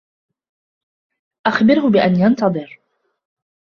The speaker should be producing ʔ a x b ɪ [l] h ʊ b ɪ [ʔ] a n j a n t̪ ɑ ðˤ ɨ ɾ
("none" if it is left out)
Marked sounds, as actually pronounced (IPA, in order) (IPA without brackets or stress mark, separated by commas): ɾ, ʔ